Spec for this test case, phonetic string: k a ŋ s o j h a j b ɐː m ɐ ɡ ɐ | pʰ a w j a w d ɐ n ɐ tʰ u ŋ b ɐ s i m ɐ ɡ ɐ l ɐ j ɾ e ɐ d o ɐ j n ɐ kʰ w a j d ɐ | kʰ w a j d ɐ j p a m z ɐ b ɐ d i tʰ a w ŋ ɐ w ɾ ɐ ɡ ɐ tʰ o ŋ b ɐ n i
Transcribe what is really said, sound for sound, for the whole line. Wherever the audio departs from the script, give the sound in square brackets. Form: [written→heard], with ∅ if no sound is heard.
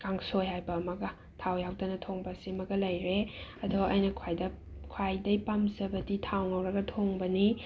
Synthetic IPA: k a ŋ s o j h a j b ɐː m ɐ ɡ ɐ | [pʰ→tʰ] a w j a w d ɐ n ɐ tʰ [u→o] ŋ b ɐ s i m ɐ ɡ ɐ l ɐ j ɾ e ɐ d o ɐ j n ɐ kʰ w a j d ɐ | kʰ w a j d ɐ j p a m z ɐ b ɐ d i tʰ a w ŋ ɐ w ɾ ɐ ɡ ɐ tʰ o ŋ b ɐ n i